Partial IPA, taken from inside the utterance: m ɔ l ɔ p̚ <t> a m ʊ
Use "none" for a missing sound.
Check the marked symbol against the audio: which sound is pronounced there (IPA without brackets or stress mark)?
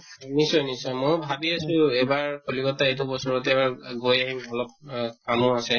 k